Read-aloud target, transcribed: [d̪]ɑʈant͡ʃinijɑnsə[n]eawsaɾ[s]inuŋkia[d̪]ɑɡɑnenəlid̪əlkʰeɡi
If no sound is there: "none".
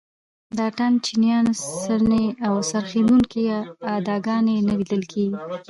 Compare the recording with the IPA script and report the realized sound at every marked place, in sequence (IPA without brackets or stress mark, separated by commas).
d̪, n, x, d̪